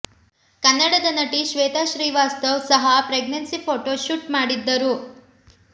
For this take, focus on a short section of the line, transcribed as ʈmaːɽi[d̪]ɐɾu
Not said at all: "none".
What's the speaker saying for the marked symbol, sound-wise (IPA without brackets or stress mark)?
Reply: d̪ː